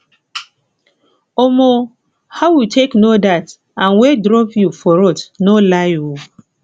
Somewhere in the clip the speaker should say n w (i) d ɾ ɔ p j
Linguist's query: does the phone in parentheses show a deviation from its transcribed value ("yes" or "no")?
yes